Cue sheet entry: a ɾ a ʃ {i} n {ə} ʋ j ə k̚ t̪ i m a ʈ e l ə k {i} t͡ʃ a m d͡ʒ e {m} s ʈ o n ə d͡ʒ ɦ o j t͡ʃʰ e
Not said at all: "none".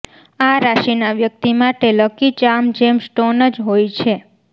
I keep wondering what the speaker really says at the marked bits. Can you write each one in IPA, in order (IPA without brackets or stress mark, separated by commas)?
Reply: i, a, i, m